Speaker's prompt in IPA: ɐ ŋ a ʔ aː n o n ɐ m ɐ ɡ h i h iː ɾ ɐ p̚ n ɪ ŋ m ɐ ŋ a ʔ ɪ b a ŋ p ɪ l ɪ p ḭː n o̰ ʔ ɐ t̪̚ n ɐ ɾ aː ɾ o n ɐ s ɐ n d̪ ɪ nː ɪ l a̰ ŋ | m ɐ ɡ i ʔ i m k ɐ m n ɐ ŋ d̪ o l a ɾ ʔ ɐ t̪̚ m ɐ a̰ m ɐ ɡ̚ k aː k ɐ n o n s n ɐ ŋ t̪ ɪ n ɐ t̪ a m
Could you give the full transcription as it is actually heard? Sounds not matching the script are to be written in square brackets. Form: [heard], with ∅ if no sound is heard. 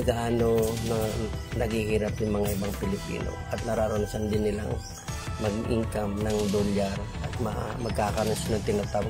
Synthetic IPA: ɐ [ɡ] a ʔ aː n o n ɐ [n] ɐ ɡ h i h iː ɾ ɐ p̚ n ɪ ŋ m ɐ ŋ a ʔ ɪ b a ŋ p ɪ l ɪ p ḭː n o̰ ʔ ɐ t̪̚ n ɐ ɾ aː ɾ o n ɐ s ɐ n d̪ ɪ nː ɪ l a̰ ŋ | m ɐ ɡ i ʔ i [ŋ] k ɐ m n ɐ ŋ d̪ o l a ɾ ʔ ɐ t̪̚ m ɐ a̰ m ɐ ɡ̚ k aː k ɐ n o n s n ɐ ŋ t̪ ɪ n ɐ t̪ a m